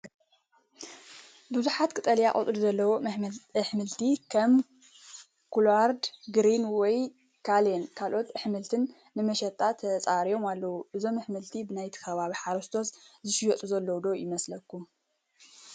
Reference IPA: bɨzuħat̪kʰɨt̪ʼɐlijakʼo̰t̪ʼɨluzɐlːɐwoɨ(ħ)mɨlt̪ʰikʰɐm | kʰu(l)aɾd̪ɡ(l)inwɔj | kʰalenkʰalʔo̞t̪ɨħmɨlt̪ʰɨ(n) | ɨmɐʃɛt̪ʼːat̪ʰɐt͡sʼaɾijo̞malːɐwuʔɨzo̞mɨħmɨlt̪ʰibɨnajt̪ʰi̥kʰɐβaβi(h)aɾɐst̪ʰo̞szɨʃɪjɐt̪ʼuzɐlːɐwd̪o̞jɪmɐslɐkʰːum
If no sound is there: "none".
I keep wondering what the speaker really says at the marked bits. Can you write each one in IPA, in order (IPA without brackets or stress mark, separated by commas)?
ħ, l, ɾ, nː, ħ